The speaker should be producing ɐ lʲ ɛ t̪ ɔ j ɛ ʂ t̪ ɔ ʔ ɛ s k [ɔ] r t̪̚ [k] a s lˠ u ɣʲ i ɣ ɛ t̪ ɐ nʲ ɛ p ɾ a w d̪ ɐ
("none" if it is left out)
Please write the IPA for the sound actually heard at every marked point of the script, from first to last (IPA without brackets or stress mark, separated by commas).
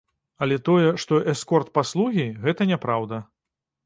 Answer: ɔ, p